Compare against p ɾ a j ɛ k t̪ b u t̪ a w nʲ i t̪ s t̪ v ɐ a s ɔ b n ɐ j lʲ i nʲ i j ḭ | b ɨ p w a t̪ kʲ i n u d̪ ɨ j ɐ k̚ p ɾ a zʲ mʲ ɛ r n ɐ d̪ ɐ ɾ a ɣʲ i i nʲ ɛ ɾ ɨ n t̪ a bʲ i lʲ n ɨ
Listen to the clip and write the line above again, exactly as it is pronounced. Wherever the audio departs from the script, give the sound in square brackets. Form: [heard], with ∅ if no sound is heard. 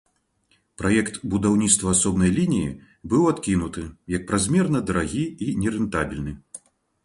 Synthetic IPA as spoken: p ɾ a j ɛ k t̪ b u [d̪] a w nʲ i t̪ s t̪ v ɐ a s ɔ b n ɐ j lʲ i nʲ i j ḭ | b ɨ [∅] w a t̪ kʲ i n u [t̪] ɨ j ɐ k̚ p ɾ a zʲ mʲ ɛ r n ɐ d̪ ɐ ɾ a ɣʲ i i nʲ ɛ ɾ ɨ n t̪ a bʲ i lʲ n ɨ